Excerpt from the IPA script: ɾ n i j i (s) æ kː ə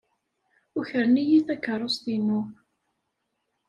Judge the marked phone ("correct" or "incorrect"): incorrect